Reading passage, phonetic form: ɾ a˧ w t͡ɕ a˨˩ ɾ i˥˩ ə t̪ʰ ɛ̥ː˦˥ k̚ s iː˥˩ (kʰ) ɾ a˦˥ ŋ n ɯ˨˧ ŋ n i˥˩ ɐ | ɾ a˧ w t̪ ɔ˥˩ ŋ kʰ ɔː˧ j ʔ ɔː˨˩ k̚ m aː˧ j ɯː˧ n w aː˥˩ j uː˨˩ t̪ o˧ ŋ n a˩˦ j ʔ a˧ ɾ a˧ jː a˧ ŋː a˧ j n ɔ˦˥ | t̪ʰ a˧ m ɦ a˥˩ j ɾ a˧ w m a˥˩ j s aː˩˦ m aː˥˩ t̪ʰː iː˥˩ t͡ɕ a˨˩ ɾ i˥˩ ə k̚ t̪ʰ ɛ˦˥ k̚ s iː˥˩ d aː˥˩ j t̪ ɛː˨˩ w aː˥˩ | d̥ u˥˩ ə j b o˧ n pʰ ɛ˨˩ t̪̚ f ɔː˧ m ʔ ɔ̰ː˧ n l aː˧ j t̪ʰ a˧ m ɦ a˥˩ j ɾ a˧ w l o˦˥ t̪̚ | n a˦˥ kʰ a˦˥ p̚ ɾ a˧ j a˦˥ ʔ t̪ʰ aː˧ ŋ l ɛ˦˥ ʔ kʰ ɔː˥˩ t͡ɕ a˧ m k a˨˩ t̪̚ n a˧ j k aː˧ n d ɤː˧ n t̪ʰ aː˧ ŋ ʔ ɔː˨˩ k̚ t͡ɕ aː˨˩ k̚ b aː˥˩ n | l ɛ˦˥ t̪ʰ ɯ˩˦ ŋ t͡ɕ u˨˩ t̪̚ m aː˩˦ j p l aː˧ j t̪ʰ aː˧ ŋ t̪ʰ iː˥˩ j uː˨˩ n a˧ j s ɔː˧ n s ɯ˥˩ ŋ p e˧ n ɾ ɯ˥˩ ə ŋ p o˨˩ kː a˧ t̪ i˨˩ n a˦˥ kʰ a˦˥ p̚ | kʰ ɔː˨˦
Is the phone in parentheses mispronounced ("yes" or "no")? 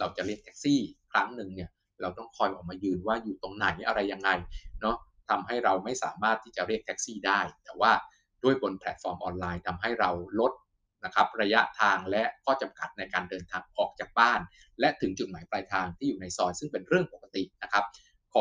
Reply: no